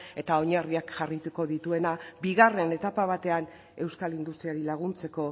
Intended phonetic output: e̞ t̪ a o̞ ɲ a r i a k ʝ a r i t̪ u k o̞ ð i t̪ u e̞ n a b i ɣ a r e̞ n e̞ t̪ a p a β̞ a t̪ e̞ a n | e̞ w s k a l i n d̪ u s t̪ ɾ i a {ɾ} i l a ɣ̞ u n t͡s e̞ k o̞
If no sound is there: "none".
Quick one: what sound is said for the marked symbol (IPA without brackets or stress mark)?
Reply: ɾ